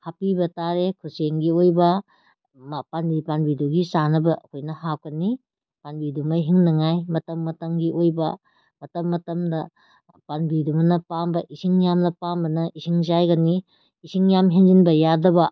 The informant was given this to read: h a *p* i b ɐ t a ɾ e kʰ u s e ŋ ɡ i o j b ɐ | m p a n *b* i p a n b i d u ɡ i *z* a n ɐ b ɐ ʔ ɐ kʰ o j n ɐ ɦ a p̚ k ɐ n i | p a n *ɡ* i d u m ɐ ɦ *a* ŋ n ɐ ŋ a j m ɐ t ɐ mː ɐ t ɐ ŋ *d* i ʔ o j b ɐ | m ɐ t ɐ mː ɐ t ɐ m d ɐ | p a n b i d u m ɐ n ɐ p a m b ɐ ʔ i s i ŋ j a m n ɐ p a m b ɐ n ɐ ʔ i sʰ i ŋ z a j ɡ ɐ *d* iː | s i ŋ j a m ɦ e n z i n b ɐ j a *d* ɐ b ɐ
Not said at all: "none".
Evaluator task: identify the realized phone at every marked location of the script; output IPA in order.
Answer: p, b, s, b, i, ɡ, n, d

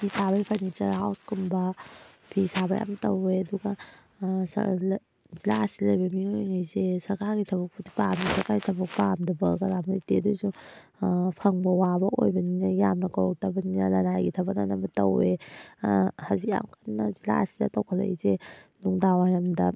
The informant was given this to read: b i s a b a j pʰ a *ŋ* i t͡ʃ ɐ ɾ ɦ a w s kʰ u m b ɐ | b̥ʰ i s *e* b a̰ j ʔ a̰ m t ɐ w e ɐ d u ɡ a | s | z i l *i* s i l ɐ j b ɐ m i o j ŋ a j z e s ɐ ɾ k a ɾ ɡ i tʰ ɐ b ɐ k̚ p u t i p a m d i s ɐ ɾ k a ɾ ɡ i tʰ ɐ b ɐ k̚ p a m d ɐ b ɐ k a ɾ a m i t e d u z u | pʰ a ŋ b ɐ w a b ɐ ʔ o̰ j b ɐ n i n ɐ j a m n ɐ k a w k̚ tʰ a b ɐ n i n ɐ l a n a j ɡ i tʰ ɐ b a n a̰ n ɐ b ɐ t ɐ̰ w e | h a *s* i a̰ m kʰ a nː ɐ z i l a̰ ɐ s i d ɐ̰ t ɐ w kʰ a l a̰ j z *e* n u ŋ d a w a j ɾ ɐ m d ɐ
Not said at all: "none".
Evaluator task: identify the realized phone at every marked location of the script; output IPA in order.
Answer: n, a, a, z, e

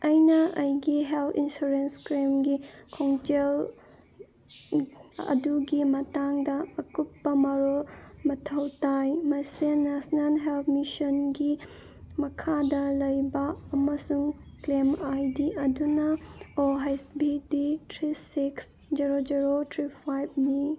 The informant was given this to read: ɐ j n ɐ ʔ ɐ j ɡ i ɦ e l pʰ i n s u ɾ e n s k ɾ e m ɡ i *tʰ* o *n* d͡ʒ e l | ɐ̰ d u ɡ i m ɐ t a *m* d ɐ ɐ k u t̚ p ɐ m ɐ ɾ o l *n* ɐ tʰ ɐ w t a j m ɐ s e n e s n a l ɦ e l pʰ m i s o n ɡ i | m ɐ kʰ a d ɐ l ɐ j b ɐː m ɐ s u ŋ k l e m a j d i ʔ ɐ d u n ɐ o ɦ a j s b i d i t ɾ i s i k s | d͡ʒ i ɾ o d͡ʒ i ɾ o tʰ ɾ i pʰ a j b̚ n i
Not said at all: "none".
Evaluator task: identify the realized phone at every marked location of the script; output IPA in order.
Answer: kʰ, ŋ, ŋ, m

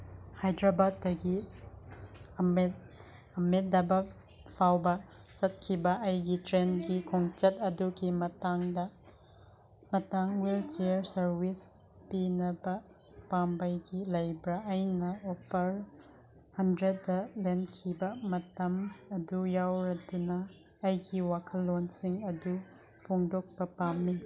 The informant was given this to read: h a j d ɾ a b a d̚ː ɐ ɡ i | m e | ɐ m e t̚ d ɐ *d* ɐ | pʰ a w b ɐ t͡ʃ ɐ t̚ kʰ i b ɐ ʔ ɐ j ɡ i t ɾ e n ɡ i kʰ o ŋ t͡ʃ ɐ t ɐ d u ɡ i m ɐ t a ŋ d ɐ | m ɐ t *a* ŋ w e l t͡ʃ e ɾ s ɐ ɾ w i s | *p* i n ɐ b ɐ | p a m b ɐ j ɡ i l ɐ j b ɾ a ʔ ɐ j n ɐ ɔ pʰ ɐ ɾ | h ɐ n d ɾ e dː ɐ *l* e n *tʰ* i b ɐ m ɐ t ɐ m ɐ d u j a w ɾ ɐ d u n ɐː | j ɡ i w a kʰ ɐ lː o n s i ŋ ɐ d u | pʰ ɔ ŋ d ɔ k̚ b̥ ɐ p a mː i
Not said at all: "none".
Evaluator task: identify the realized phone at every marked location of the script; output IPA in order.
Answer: b, a, p, l, kʰ

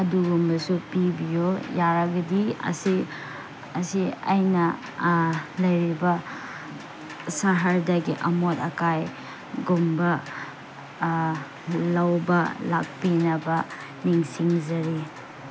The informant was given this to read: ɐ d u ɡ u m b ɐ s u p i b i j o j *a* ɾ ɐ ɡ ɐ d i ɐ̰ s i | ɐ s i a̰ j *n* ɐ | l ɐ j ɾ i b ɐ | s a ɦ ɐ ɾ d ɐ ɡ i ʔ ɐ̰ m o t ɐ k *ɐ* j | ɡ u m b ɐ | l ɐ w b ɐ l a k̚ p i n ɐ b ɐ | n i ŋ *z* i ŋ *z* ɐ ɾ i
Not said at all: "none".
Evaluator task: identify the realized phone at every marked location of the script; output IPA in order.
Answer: a, n, a, s, z

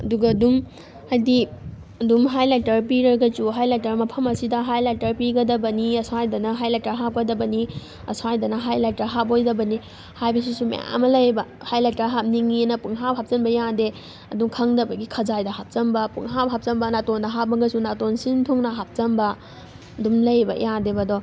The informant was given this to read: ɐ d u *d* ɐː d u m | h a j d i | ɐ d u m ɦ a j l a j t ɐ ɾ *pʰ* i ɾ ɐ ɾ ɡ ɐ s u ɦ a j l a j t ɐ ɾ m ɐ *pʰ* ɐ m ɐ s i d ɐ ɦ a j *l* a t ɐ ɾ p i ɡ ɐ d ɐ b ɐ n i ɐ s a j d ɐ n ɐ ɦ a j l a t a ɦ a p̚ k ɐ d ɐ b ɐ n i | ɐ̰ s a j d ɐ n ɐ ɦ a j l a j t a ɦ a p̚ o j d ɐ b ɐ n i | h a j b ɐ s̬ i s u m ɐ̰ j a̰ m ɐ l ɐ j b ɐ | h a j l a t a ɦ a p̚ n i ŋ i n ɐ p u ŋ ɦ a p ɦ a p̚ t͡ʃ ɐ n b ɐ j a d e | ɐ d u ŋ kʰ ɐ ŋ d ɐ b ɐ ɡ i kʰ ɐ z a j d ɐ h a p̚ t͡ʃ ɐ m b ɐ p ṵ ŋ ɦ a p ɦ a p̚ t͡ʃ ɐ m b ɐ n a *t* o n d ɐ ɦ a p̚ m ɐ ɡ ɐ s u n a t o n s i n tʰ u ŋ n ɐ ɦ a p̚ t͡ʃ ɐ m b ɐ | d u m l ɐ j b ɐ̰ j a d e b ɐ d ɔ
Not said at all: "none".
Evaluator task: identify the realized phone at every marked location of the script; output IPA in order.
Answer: ɡ, p, pʰ, l, t

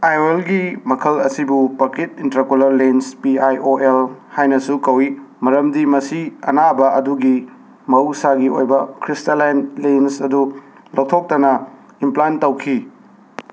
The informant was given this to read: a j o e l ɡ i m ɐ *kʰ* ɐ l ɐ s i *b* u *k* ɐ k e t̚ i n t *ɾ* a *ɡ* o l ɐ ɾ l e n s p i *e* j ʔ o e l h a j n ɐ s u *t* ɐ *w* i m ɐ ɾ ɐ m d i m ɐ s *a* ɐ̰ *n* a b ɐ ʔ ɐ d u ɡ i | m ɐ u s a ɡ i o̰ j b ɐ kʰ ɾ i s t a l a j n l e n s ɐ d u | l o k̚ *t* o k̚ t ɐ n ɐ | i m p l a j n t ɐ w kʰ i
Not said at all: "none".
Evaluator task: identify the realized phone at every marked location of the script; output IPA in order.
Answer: kʰ, b, p, ɾ, k, a, k, w, i, n, tʰ

